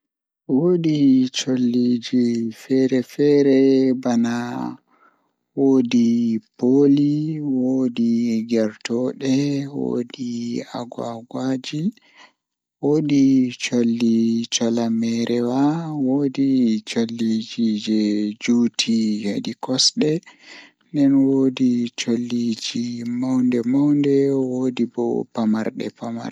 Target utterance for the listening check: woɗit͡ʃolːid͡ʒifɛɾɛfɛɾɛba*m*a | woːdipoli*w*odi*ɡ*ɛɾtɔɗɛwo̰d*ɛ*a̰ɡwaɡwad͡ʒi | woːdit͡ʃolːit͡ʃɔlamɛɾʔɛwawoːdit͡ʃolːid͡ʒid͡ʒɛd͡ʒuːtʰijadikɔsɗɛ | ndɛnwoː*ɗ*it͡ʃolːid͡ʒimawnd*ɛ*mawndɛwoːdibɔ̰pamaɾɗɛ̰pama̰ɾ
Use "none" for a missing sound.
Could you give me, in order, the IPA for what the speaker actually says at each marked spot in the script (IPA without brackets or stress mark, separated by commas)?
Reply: n, w, ɡ, i, d, ɛ